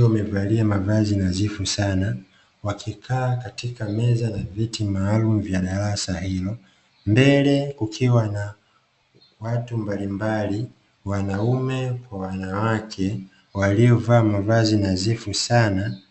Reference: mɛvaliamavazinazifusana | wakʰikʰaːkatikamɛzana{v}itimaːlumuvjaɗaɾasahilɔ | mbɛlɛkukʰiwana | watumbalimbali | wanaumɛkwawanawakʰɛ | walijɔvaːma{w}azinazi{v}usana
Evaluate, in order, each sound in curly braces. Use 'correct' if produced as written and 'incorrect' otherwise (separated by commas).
correct, incorrect, incorrect